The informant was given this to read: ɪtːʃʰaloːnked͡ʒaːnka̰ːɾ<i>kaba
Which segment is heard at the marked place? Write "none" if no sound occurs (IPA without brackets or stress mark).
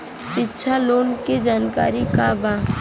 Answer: i